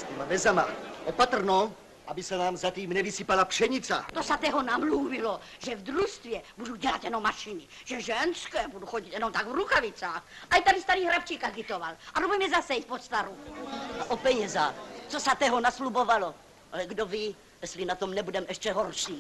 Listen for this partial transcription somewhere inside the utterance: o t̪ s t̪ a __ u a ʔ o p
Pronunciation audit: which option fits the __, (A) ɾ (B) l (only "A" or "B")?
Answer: A